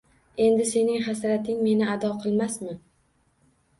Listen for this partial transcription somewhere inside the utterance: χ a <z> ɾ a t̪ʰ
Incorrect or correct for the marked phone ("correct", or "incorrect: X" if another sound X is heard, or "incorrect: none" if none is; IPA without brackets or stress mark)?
incorrect: s